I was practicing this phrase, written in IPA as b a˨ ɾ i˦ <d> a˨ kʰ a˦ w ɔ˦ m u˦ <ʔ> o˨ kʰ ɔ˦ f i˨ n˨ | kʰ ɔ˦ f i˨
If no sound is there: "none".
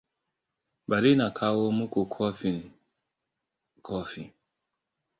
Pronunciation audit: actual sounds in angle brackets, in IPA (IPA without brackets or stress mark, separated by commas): n, k